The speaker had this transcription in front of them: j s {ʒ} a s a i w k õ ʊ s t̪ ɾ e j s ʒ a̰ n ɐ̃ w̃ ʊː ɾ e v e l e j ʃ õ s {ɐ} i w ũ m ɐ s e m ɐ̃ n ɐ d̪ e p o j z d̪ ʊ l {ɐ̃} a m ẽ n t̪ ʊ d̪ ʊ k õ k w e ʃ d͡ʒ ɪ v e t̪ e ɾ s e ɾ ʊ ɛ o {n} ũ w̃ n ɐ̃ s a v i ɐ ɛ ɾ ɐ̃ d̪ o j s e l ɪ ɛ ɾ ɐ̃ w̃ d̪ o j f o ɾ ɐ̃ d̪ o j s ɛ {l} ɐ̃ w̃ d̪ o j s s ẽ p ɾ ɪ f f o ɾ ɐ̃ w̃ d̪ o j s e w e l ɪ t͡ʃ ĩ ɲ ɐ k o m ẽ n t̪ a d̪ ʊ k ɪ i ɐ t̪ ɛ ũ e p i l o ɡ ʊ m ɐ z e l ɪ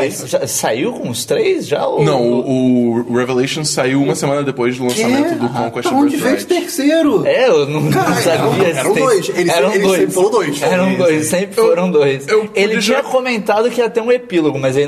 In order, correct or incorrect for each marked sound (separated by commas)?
correct, incorrect, correct, correct, incorrect